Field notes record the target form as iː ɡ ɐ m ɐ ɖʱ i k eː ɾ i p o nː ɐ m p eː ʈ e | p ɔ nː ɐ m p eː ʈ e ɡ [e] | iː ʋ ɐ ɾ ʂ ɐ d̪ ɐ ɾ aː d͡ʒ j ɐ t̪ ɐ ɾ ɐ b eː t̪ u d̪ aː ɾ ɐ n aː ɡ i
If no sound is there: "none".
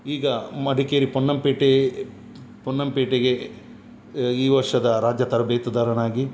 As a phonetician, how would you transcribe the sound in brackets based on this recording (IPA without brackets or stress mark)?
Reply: e